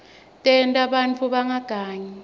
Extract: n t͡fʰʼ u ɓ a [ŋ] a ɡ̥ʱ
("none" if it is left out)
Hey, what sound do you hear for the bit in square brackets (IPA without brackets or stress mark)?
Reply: ŋ